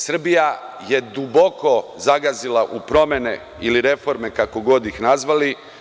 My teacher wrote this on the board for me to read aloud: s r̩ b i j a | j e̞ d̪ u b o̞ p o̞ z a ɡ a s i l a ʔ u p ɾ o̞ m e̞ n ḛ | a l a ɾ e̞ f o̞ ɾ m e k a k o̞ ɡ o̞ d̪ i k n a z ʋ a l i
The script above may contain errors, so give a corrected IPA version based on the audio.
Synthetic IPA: s r̩ b i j a | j e̞ d̪ u b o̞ k o̞ z a ɡ a z i l a ʔ u p ɾ o̞ m e̞ n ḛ | i l i ɾ e̞ f o̞ ɾ m e k a k o̞ ɡ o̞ d̪ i x n a z ʋ a l i